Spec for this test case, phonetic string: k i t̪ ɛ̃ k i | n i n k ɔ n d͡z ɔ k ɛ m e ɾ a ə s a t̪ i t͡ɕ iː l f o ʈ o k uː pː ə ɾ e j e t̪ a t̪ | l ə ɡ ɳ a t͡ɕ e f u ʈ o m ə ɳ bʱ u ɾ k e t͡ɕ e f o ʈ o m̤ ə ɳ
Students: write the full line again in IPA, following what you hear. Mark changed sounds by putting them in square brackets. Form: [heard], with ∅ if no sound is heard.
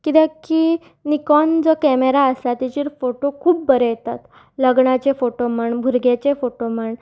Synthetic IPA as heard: k i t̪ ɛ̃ k i | n i [∅] k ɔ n d͡z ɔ k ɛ m e ɾ a ə s a t̪ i t͡ɕ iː [ɾ] f o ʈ o [kʰ] uː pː ə ɾ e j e t̪ a t̪ | l ə ɡ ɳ a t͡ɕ e f [o] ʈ o m ə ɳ bʱ u ɾ [ɡ] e t͡ɕ e f o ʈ o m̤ ə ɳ

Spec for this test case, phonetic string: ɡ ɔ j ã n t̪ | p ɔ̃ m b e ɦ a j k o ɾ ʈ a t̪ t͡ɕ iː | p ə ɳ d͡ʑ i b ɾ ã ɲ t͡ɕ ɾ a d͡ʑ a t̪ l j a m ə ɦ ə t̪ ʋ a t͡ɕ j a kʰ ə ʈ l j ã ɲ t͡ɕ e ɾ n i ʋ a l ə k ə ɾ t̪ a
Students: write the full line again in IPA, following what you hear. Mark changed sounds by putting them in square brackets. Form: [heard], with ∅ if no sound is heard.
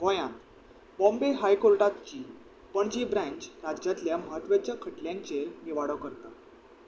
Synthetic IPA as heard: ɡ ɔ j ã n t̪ | [b] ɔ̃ m b e ɦ a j k o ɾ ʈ a t̪ t͡ɕ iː | p ə ɳ d͡ʑ i b ɾ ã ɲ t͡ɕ ɾ a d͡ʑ a t̪ l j a m ə ɦ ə t̪ ʋ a t͡ɕ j a kʰ ə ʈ l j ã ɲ t͡ɕ e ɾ n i ʋ a [ɽ] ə k ə ɾ t̪ a

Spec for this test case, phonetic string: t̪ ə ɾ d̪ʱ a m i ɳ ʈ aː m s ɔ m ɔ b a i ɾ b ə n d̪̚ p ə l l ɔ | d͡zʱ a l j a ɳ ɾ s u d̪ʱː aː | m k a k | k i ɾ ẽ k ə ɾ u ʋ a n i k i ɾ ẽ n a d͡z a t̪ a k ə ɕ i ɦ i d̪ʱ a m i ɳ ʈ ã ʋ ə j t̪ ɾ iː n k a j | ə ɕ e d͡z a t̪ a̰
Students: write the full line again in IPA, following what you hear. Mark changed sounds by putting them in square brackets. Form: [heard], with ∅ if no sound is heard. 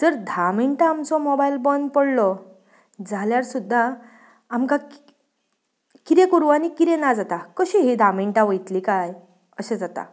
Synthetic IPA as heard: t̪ ə ɾ d̪ʱ a m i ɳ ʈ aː m [t͡s] ɔ m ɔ b a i [l] b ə n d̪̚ p ə [ɽ] l ɔ | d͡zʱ a l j a [∅] ɾ s u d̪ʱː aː | m k a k | k i ɾ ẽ k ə ɾ u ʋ a n i k i ɾ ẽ n a d͡z a t̪ a k ə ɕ i ɦ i d̪ʱ a m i ɳ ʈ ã ʋ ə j t̪ [l] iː [∅] k a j | ə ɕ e d͡z a t̪ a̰

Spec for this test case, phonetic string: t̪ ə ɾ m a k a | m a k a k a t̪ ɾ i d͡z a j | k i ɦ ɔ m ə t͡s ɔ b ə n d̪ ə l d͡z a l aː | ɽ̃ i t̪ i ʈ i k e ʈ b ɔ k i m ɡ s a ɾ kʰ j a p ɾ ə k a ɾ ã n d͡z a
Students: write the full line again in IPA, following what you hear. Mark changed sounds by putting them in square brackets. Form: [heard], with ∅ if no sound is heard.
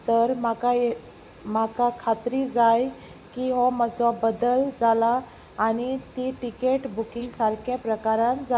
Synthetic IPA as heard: t̪ ə ɾ m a k a | m a k a [kʰ] a t̪ ɾ i d͡z a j | k i ɦ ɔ m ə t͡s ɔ b ə [∅] d̪ ə l d͡z a l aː | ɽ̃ i t̪ i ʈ i k e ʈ b [u] k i [ŋ] ɡ s a ɾ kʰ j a p ɾ ə k a ɾ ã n d͡z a

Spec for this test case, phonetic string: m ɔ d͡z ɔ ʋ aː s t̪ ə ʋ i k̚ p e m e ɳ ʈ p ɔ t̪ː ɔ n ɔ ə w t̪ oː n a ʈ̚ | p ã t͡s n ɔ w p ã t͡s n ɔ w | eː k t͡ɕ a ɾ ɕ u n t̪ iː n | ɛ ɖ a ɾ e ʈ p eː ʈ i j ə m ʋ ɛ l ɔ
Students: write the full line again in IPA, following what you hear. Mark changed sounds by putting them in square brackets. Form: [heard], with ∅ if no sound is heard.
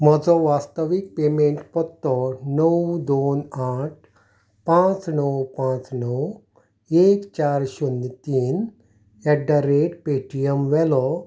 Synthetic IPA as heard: m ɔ d͡z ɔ ʋ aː s t̪ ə ʋ i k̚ p e m e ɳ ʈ p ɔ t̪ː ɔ n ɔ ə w [d̪] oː n a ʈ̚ | p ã t͡s n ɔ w p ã t͡s n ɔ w | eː k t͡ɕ a ɾ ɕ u n t̪ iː n | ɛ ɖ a ɾ e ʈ p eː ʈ i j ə m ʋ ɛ l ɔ

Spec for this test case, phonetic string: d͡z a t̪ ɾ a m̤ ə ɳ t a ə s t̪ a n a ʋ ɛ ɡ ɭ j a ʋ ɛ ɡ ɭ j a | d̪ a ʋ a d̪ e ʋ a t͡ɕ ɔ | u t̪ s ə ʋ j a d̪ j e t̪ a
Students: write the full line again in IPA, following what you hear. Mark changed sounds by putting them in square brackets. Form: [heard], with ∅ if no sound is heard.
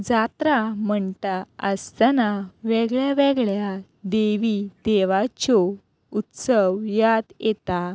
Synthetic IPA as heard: d͡z a t̪ ɾ a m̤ ə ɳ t a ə s t̪ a n a ʋ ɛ ɡ ɭ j a ʋ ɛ ɡ ɭ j a | d̪ [e] ʋ [i] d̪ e ʋ a t͡ɕ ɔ | u t̪ s ə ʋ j a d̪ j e t̪ a

